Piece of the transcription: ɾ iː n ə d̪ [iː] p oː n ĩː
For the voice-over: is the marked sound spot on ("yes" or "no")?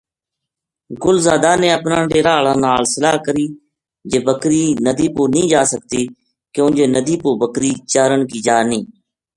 yes